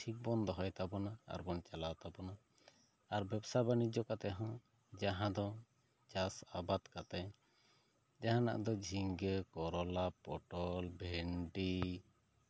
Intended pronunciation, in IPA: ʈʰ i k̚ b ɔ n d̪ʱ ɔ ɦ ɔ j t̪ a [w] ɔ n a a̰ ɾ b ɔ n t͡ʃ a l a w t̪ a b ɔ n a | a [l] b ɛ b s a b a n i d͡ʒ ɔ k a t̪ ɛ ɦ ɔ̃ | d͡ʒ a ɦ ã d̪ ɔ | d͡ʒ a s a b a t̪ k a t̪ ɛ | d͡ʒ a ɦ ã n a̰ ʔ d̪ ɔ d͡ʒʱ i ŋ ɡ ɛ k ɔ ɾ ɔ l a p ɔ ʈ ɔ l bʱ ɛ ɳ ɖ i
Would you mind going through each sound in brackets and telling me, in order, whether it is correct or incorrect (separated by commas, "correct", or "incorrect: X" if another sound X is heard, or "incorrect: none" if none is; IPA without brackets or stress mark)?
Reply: incorrect: b, incorrect: ɾ